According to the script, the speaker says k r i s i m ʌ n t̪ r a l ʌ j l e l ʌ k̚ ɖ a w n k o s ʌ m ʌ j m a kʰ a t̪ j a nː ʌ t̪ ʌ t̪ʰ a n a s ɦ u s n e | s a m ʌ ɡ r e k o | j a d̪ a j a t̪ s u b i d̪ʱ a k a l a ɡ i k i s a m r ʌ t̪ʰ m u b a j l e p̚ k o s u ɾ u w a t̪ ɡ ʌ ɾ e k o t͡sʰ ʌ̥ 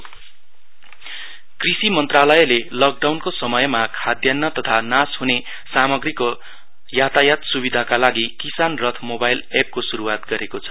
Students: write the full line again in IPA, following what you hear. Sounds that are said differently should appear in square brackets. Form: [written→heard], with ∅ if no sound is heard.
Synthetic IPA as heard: k r i s i m ʌ n t̪ r a l ʌ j l e l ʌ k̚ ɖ a w n k o s ʌ m ʌ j m a kʰ a [t̪→d̪] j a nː ʌ t̪ ʌ t̪ʰ a n a s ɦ u [s→∅] n e | s a m ʌ ɡ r [e→i] k o | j a [d̪→t̪] a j a t̪ s u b i d̪ʱ a k a l a ɡ i k i s a [m→n] r ʌ t̪ʰ m [u→o] b a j l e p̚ k o s u ɾ u w a t̪ ɡ ʌ ɾ e k o t͡sʰ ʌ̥

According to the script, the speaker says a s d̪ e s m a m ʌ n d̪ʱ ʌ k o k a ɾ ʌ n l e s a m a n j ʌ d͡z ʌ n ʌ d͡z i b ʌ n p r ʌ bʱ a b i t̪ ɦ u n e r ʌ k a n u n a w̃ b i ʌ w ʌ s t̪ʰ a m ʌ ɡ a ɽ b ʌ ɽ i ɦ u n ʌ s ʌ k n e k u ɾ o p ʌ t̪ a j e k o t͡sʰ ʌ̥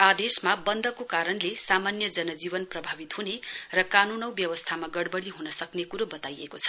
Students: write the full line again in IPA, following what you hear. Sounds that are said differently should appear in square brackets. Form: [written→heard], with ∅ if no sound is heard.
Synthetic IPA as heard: a [s→∅] d̪ e s m a [m→b] ʌ n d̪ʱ ʌ k o k a ɾ ʌ n l e s a m a n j ʌ d͡z ʌ n ʌ d͡z i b ʌ n p r ʌ bʱ a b i t̪ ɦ u n e r ʌ k a n u n [a→ʌ] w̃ b [i→j] ʌ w ʌ s t̪ʰ a m [ʌ→a] ɡ [a→ʌ] ɽ b ʌ ɽ i ɦ u n ʌ s ʌ k n e k u ɾ o [p→b] ʌ t̪ a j e k o t͡sʰ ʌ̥

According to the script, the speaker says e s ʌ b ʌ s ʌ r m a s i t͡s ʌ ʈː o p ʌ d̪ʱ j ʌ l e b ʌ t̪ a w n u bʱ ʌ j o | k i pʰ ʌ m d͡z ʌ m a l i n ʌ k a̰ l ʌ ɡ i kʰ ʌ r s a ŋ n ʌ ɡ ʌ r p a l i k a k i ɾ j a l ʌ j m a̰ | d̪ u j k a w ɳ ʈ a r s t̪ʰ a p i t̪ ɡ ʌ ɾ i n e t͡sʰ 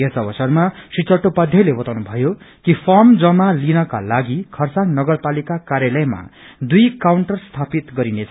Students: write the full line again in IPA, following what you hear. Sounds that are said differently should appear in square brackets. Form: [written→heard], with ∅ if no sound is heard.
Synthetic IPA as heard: e s ʌ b ʌ s ʌ r m a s i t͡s ʌ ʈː o p ʌ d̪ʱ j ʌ l e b ʌ t̪ a w n u bʱ ʌ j o | k i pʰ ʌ m d͡z ʌ m a l i n ʌ k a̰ l [ʌ→a] ɡ i kʰ ʌ r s a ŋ n ʌ ɡ ʌ r p a l i k a k [i→a] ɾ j a l ʌ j m a̰ | d̪ u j k a w ɳ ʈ [a→ʌ] r s t̪ʰ a p i t̪ ɡ ʌ ɾ i n e t͡sʰ

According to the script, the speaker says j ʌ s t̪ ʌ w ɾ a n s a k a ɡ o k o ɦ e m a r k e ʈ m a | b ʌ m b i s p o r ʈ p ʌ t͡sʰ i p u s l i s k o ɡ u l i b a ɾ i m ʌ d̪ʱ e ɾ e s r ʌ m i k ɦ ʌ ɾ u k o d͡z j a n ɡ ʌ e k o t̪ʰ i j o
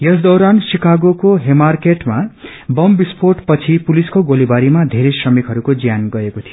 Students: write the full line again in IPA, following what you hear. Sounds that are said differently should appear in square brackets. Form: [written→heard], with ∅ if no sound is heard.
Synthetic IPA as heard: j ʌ s [t̪→d̪] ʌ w ɾ a n s [a→i] k a ɡ o k o ɦ e m a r k e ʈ m a | b ʌ m b i s p o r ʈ p ʌ t͡sʰ i p u [s→∅] l i s k o ɡ [u→o] l i b a ɾ i m [ʌ→a] d̪ʱ e ɾ e s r ʌ m i k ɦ ʌ ɾ u k o d͡z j a n ɡ ʌ e k o t̪ʰ i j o

